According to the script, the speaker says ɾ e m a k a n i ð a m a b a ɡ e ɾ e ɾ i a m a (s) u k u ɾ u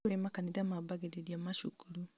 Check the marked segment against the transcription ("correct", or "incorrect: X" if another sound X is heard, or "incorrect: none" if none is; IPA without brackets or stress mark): incorrect: ʃ